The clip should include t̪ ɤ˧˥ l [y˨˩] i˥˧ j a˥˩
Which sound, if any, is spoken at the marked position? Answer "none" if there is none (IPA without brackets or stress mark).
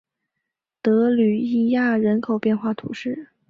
y˨˩